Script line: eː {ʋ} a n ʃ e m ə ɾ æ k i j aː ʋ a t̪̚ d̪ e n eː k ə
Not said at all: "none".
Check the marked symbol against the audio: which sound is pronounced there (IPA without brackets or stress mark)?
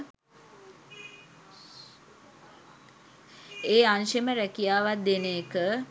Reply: none